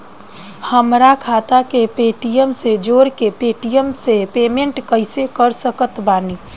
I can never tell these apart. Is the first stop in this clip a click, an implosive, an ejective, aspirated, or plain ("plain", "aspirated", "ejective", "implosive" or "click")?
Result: aspirated